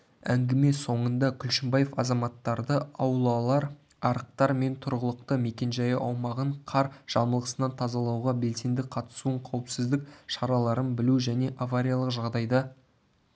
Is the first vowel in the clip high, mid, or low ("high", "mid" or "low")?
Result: low